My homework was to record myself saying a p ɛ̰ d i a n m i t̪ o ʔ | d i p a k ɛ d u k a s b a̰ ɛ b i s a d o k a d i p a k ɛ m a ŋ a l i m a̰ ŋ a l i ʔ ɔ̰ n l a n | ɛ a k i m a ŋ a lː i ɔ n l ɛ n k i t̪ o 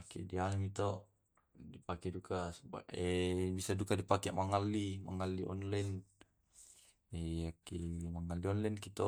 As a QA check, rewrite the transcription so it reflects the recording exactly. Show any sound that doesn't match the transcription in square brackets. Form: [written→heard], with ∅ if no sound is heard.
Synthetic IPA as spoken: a [p→k] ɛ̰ d i a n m i t̪ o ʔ | d i p a k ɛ d u k a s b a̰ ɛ b i s a d [o→u] k a d i p a k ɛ m a ŋ a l i m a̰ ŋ a l i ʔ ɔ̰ n l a n | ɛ a k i m a ŋ a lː i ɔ n l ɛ n k i t̪ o